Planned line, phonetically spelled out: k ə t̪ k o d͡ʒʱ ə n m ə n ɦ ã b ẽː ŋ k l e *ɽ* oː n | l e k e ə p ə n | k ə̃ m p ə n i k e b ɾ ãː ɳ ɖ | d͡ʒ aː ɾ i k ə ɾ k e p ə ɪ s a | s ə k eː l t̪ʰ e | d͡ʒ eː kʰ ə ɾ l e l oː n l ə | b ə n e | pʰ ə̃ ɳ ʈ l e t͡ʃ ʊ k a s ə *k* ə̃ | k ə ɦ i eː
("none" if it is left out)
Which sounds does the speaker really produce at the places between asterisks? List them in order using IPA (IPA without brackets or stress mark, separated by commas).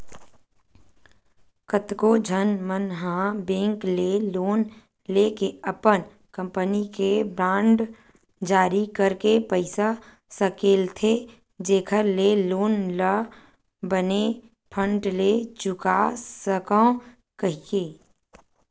l, k